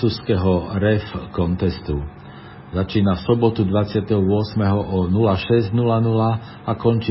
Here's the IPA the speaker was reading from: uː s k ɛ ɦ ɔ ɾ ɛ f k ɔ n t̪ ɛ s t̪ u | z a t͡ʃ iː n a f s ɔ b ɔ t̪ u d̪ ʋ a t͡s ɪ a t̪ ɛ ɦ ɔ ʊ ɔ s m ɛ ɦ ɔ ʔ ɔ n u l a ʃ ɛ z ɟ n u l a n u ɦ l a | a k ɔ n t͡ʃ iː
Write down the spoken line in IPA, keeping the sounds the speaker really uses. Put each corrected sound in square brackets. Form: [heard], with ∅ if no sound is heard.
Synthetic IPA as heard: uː s k ɛ ɦ ɔ ɾ ɛ f k ɔ n t̪ ɛ s t̪ u | z a t͡ʃ iː n a f s ɔ b ɔ t̪ u d̪ ʋ a t͡s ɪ a t̪ ɛ ɦ ɔ ʊ ɔ s m ɛ ɦ ɔ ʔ ɔ n u l a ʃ ɛ z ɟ n u l a n u [∅] l a | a k ɔ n t͡ʃ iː